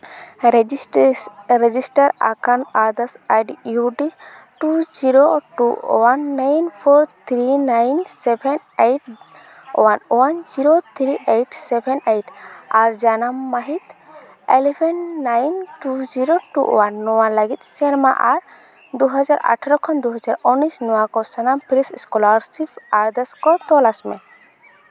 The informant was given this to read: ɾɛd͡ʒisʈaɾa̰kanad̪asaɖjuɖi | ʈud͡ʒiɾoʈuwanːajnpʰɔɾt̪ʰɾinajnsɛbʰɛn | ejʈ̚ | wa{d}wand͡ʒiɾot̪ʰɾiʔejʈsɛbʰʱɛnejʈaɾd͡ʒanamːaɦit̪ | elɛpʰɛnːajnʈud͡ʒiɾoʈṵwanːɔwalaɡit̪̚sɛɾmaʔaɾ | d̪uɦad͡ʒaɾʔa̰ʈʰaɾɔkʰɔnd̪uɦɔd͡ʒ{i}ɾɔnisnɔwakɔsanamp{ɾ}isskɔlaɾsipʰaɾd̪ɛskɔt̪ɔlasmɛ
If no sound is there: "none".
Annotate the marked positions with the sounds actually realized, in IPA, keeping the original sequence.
n, a, ɾ

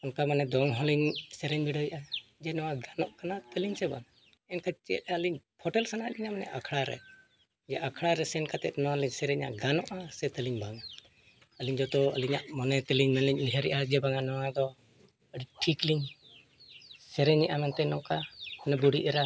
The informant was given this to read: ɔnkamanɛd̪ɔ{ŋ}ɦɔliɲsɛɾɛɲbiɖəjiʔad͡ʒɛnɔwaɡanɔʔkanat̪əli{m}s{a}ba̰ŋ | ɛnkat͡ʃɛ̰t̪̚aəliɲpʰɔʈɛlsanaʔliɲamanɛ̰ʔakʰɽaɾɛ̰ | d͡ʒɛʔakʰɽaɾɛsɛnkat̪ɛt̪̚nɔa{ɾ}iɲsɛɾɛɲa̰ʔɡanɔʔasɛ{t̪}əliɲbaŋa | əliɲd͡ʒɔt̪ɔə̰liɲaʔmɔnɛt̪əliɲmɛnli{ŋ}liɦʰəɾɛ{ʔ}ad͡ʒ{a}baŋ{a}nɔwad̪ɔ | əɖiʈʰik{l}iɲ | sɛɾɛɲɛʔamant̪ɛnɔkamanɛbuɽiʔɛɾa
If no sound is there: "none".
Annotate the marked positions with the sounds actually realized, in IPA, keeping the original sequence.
ŋ, ɲ, ɛ, l, t̪, ɲ, ʔ, ɛ, a, l

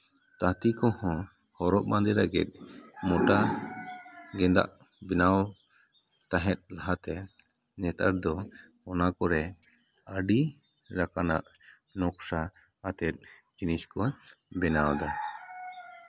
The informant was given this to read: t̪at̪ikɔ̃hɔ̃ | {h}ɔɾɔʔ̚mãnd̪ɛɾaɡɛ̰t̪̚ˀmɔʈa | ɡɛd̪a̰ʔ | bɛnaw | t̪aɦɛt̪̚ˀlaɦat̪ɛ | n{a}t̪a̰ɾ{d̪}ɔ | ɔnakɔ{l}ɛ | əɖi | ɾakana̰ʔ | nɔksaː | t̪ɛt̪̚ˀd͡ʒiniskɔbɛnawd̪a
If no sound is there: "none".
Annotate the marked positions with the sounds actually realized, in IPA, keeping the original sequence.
h, ɛ, d̪, ɾ

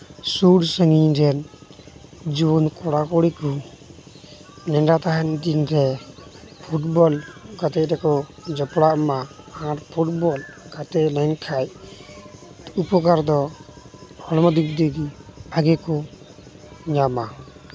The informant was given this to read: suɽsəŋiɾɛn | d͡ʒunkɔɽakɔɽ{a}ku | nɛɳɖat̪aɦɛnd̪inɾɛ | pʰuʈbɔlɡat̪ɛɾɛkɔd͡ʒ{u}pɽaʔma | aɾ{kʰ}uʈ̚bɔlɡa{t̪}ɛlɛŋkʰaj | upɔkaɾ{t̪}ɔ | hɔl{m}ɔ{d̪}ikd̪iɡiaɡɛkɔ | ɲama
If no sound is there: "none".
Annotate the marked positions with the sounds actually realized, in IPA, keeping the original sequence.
i, ɔ, pʰ, t̪, d̪, m, d̪

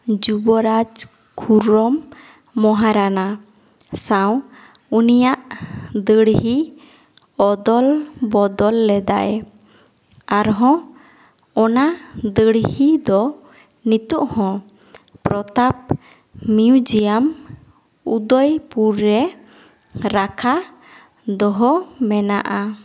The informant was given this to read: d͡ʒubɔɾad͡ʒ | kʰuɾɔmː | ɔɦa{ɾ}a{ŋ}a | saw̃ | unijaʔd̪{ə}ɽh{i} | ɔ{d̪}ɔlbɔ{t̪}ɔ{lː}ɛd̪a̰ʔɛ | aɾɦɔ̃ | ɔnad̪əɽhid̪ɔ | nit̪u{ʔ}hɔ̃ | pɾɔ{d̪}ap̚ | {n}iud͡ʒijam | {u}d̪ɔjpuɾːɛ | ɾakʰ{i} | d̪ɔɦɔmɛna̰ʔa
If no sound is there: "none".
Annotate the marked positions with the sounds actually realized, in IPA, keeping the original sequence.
ɾ, n, ə, i, d̪, d̪, lː, ʔ, t̪, m, u, a

